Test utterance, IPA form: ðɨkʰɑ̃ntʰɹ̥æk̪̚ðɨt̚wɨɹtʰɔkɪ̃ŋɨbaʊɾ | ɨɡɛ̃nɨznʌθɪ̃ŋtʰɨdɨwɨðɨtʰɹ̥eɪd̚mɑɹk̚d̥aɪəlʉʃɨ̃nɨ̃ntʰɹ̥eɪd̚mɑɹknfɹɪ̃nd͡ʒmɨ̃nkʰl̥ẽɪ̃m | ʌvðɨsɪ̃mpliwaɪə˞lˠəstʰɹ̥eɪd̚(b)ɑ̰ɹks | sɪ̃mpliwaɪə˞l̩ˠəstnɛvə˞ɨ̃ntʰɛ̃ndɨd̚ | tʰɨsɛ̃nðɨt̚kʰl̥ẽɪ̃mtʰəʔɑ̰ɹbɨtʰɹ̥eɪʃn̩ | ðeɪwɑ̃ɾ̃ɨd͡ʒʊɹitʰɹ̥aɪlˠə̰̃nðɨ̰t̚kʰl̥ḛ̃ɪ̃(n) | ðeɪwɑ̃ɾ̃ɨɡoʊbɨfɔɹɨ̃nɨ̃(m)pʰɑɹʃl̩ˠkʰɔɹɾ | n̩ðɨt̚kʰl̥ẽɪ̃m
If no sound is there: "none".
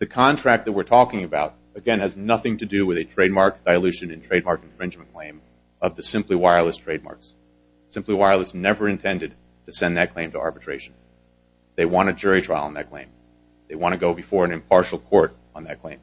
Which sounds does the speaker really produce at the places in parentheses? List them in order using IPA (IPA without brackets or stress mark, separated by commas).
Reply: m, m, m